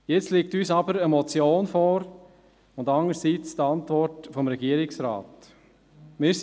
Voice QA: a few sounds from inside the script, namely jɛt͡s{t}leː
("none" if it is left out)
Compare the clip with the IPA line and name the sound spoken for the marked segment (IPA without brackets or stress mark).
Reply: t